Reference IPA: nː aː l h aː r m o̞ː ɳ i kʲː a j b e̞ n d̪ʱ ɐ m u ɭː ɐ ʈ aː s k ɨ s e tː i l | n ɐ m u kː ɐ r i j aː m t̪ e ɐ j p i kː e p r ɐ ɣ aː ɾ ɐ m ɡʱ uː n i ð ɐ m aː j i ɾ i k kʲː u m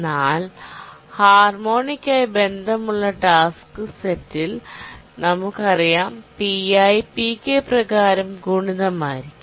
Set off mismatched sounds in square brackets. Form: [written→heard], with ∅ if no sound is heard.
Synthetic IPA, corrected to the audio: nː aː l h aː r m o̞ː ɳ i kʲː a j b e̞ n d̪ʱ ɐ m u ɭː ɐ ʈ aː s k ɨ s e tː i l | n ɐ m u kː ɐ r i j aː m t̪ [e→i] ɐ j p i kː e p r ɐ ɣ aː ɾ ɐ m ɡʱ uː [n→ɳ] i ð ɐ m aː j i ɾ i k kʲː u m

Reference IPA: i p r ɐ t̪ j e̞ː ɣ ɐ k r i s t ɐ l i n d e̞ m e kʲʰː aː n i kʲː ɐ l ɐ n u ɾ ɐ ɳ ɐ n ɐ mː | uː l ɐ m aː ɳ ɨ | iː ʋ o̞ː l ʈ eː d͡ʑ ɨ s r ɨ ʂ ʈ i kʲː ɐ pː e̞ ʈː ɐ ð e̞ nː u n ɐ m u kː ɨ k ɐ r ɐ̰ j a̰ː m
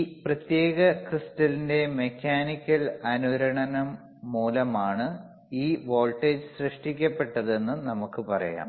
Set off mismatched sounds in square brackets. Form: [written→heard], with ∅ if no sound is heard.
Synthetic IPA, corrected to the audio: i p r ɐ t̪ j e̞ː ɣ ɐ k r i s t ɐ l i n d e̞ m e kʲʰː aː n i kʲː ɐ l ɐ n u ɾ ɐ ɳ ɐ n ɐ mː | uː l ɐ m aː ɳ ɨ | iː ʋ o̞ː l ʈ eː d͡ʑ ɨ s r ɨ ʂ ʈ i kʲː ɐ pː e̞ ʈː ɐ ð e̞ nː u n ɐ m u kː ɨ [k→p] ɐ r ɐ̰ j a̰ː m

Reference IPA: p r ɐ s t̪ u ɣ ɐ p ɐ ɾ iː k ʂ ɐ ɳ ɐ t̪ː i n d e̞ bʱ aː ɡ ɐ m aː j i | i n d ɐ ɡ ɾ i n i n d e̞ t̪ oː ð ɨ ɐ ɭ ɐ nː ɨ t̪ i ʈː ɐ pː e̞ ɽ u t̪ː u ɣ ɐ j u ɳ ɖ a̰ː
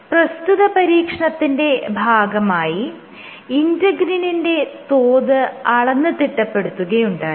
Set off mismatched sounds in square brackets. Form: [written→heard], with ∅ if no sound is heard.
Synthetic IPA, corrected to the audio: p r ɐ s t̪ u [ɣ→ð] ɐ p ɐ ɾ iː k ʂ ɐ ɳ ɐ t̪ː i n d e̞ bʱ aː ɡ ɐ m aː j i | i n d ɐ ɡ ɾ i n i n d e̞ t̪ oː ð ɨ ɐ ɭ ɐ nː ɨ t̪ i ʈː ɐ pː e̞ ɽ u t̪ː u ɣ ɐ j u ɳ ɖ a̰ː

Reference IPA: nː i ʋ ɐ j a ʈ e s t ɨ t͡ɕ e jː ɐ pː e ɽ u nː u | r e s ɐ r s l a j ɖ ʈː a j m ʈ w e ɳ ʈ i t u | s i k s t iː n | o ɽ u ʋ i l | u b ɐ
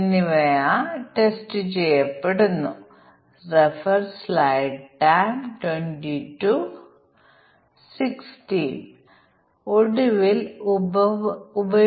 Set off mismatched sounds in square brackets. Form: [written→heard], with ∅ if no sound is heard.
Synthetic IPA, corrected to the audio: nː i ʋ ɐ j a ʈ e s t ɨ t͡ɕ e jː ɐ pː e ɽ u nː u | r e [s→f] ɐ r s l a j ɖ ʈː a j m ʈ w e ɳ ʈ i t u | s i k s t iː n | o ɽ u ʋ i l | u b ɐ

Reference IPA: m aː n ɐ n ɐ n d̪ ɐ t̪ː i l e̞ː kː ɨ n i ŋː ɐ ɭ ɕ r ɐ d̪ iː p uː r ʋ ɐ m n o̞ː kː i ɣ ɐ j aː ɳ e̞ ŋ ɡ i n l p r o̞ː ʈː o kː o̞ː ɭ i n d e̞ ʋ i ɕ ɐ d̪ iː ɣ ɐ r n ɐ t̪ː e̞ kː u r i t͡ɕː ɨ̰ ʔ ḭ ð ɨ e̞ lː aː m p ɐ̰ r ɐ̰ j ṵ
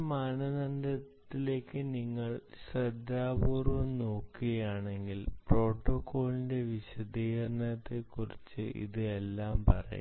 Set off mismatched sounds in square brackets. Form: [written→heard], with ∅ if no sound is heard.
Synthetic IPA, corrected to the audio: m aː n ɐ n ɐ n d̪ ɐ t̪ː i l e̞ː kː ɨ n i ŋː ɐ ɭ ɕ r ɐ d̪ [iː→aː] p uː r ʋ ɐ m n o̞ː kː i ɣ ɐ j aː ɳ e̞ ŋ ɡ i [n→∅] l p r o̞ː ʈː o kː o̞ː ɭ i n d e̞ ʋ i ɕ ɐ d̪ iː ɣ ɐ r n ɐ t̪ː e̞ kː u r i t͡ɕː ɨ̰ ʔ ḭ ð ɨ e̞ lː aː m p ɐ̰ r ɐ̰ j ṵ

